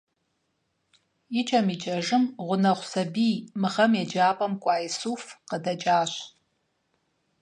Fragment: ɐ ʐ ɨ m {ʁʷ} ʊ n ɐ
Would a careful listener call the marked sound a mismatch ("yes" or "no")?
no